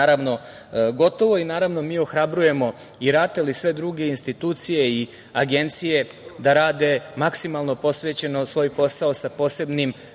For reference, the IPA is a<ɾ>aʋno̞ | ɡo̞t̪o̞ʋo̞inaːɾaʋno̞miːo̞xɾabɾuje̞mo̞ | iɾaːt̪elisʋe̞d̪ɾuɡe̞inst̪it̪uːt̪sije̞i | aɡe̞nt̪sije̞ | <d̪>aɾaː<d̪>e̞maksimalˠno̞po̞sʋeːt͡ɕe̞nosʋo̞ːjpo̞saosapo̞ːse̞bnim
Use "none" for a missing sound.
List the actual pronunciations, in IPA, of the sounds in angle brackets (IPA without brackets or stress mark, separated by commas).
ɾ, d̪, d̪